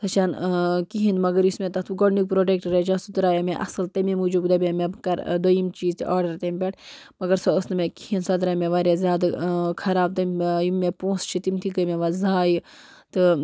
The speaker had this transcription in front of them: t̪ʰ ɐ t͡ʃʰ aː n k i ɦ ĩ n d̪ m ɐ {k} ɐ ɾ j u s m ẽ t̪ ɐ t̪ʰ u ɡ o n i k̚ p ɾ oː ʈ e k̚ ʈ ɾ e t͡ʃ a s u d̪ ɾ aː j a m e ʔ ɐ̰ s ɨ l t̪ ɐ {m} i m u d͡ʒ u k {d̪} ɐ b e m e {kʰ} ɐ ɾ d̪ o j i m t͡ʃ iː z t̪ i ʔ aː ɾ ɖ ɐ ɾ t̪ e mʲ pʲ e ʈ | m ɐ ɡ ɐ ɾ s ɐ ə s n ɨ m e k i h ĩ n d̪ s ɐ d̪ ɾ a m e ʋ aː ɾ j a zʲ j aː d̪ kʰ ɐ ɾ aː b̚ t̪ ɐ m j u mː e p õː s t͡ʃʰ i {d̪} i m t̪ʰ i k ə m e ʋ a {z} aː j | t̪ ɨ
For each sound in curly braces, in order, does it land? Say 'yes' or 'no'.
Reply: no, yes, yes, no, no, yes

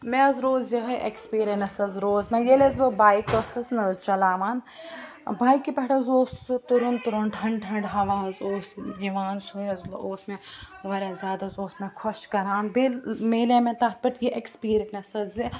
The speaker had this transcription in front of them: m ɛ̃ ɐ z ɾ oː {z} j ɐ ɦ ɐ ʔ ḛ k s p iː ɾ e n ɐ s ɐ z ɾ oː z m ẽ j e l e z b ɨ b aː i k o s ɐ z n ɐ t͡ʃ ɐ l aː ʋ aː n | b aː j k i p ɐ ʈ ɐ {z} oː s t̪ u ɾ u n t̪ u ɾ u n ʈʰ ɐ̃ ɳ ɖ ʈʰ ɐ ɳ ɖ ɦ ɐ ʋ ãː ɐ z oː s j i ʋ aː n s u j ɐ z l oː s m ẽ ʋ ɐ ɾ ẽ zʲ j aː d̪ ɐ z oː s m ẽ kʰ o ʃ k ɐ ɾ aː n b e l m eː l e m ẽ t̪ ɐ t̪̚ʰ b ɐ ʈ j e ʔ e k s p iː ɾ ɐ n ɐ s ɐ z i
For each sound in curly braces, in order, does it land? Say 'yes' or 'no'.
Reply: yes, yes

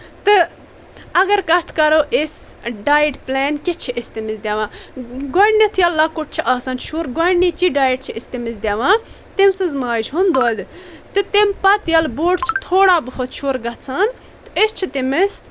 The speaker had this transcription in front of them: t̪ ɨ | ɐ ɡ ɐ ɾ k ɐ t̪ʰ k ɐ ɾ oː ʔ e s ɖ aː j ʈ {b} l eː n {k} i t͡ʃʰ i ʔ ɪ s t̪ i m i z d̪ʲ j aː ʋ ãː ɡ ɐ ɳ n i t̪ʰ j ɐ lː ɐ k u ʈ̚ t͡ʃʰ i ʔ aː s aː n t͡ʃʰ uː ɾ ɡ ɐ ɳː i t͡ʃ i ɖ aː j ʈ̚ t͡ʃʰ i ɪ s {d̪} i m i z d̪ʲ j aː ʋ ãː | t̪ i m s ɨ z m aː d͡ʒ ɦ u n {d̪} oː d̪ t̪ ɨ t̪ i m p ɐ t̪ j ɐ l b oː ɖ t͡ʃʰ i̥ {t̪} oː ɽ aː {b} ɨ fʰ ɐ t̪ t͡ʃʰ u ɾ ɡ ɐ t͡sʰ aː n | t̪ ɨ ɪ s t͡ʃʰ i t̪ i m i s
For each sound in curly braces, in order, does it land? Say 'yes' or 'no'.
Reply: no, yes, no, yes, no, yes

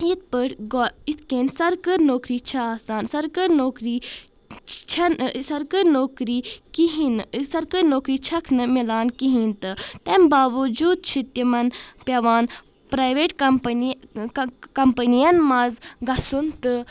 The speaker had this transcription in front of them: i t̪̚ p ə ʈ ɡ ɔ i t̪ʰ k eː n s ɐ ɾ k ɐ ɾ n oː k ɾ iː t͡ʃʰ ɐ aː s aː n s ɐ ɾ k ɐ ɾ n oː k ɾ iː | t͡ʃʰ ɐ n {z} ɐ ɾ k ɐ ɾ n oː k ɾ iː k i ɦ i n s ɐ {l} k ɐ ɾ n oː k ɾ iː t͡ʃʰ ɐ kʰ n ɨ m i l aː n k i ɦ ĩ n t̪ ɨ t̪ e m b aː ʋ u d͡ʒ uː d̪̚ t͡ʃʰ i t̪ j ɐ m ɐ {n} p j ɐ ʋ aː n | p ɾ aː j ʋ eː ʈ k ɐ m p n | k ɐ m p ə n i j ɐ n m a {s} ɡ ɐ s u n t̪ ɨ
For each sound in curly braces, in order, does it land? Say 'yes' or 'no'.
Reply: no, no, yes, no

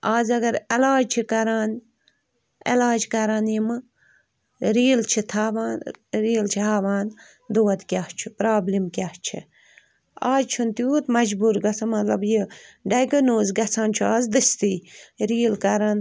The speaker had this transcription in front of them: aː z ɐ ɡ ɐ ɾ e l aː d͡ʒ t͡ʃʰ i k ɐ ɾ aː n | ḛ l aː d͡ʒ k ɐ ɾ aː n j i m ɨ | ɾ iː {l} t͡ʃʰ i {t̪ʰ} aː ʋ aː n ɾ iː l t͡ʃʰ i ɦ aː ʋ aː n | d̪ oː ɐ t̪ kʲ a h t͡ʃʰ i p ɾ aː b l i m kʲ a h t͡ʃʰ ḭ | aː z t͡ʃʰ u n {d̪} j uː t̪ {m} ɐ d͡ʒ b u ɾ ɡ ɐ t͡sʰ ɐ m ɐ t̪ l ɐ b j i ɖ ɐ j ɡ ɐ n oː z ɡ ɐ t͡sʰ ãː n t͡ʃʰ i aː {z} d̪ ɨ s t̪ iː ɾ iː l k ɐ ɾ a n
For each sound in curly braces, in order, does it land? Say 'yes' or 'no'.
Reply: yes, yes, no, yes, yes

